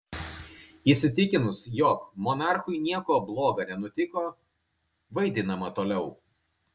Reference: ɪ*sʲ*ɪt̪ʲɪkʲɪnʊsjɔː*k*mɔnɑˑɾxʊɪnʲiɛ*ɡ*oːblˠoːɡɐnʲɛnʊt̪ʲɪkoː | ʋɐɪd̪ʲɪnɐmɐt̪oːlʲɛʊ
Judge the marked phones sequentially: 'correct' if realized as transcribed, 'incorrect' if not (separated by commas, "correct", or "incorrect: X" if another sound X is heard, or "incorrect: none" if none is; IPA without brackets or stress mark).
correct, correct, incorrect: k